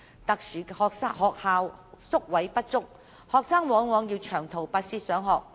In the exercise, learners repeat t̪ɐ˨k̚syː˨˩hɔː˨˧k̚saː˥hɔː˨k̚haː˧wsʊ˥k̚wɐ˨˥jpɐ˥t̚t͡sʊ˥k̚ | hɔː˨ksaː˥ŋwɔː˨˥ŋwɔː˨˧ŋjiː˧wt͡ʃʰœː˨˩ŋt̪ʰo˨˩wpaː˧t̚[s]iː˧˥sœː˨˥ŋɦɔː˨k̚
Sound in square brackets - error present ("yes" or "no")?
no